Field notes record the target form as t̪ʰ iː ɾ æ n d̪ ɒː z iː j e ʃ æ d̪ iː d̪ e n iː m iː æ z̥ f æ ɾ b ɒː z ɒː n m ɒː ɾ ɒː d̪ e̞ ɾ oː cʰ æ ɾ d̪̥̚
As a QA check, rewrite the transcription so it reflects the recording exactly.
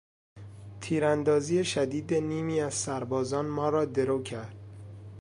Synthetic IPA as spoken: t̪ʰ iː ɾ æ n d̪ ɒː z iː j e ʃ æ d̪ iː d̪ e n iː m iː æ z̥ s æ ɾ b ɒː z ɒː n m ɒː ɾ ɒː d̪ e̞ ɾ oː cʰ æ ɾ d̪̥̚